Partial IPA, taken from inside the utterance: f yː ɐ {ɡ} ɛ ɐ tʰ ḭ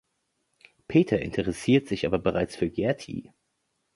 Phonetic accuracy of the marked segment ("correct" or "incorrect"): correct